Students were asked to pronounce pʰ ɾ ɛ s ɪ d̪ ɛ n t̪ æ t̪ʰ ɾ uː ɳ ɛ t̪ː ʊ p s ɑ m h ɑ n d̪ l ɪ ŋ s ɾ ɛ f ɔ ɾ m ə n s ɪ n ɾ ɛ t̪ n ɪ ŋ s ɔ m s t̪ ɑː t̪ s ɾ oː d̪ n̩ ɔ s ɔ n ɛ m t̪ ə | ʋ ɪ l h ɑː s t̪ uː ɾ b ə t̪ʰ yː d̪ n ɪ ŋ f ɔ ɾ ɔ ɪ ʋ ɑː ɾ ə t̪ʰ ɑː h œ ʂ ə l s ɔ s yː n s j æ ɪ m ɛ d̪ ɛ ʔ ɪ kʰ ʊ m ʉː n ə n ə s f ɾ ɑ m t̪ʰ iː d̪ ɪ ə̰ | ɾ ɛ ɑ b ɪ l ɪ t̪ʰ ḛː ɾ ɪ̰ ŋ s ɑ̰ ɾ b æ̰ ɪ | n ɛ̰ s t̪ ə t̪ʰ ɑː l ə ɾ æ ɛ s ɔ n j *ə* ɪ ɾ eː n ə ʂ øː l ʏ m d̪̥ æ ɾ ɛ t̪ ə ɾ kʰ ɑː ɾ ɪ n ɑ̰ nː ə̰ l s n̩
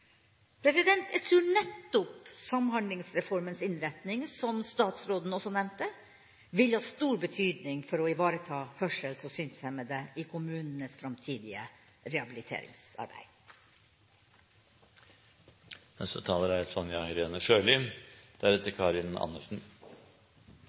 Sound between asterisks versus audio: incorrect: ɑ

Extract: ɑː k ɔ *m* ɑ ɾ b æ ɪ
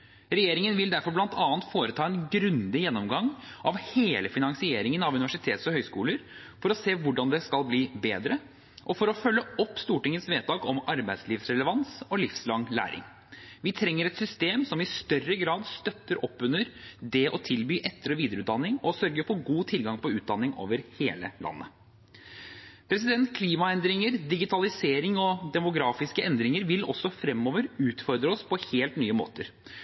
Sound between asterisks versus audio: correct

